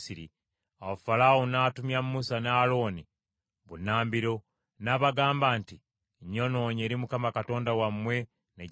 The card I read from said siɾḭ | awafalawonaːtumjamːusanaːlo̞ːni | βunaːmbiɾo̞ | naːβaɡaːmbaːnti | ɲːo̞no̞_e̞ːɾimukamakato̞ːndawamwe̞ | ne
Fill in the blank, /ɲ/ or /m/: ɲ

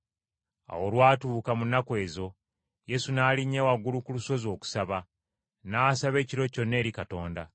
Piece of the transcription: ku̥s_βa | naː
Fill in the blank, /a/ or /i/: a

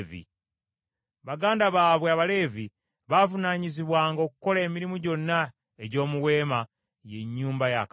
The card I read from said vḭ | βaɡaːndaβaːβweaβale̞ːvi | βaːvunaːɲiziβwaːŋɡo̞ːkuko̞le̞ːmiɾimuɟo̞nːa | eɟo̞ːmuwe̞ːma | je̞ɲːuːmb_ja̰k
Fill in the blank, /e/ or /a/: a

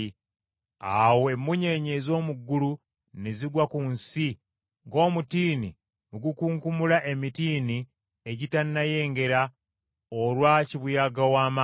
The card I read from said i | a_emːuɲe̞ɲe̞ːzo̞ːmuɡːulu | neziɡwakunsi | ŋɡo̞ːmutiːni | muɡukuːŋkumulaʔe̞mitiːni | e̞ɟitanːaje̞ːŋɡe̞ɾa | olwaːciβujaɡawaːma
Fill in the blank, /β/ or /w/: w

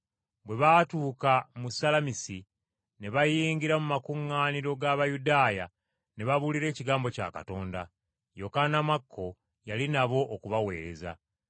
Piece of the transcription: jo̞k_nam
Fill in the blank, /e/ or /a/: a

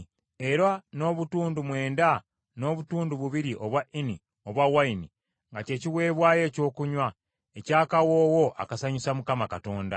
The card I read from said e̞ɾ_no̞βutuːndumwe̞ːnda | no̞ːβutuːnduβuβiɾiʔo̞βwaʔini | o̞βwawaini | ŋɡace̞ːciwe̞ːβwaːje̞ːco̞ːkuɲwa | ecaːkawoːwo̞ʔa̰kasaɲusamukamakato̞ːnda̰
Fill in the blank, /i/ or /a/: a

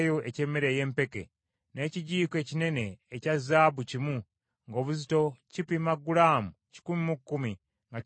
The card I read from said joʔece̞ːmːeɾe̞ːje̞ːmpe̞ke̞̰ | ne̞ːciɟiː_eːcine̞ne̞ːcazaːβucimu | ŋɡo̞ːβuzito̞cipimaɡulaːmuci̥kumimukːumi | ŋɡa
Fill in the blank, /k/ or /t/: k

